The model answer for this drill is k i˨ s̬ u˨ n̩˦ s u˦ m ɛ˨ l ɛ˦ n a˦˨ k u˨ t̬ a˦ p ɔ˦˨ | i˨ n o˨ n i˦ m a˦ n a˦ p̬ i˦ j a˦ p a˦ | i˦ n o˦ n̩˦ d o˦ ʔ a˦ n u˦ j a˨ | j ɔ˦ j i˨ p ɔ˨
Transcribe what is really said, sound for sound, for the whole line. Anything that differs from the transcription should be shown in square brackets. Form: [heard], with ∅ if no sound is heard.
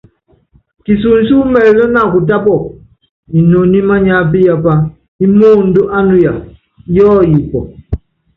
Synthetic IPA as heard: k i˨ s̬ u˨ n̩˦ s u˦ m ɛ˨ l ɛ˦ n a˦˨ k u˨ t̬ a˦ p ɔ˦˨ | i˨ n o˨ n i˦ m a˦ [ɲ] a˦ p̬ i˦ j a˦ p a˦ | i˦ [m] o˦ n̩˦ d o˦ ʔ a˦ n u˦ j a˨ | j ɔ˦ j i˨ p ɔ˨